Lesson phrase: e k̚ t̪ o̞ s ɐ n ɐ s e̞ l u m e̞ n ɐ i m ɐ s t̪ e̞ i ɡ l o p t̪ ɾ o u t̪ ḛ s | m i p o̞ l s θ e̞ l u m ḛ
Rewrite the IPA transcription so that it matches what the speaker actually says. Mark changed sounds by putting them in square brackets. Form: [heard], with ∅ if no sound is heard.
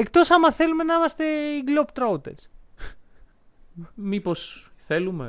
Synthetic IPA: e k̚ t̪ o̞ s ɐ [m] ɐ [θ] e̞ l u m e̞ n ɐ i m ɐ s t̪ e̞ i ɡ l o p t̪ ɾ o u t̪ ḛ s | m i p o̞ [∅] s θ e̞ l u m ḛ